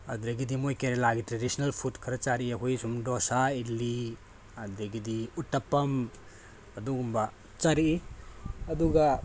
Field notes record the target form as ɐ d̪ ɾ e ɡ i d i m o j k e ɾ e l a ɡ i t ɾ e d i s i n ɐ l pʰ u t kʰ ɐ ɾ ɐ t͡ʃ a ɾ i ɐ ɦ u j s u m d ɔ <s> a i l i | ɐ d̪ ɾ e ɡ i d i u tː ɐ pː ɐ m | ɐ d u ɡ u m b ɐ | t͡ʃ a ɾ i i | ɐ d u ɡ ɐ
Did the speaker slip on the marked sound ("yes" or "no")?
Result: no